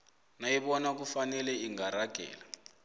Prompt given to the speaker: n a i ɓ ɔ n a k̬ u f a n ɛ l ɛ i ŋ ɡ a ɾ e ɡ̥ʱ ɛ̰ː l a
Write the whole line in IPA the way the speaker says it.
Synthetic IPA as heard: n a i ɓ ɔ n a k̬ u f a n ɛ l ɛ i ŋ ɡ a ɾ a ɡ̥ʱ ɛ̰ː l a